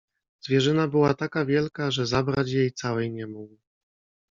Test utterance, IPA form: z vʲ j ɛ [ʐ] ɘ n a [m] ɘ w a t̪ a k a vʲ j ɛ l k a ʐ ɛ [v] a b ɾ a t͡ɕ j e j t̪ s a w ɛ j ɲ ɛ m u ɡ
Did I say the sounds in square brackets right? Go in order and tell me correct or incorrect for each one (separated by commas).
correct, incorrect, incorrect